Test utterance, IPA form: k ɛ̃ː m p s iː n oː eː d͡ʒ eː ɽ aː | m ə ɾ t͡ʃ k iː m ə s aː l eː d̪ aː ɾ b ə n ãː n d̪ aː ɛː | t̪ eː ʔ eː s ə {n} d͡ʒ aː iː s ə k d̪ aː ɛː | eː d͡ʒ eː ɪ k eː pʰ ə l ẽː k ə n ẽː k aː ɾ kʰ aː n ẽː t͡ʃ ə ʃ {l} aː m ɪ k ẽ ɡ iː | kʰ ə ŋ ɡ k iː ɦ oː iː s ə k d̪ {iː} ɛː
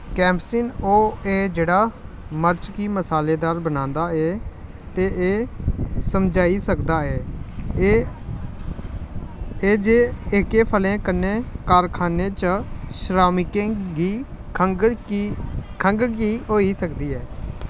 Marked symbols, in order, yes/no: no, no, yes

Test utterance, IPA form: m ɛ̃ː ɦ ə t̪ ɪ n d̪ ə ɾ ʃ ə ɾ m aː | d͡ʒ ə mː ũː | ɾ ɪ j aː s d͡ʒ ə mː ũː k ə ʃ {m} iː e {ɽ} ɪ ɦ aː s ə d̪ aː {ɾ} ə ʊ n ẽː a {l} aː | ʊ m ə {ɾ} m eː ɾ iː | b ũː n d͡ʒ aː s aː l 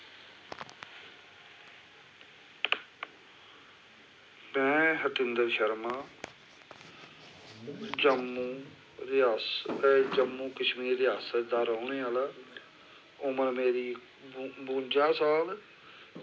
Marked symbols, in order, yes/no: yes, no, yes, yes, yes

